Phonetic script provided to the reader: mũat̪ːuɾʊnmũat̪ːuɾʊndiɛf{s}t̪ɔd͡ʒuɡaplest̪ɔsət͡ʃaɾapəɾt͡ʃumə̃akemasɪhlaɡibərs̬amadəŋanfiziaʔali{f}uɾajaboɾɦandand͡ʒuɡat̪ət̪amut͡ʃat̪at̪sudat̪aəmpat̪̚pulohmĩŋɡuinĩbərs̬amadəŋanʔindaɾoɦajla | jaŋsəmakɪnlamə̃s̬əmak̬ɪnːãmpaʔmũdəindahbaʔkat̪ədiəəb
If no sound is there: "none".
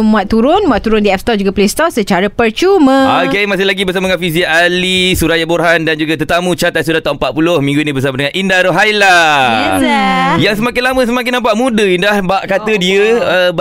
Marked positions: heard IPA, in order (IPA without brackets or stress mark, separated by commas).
s, s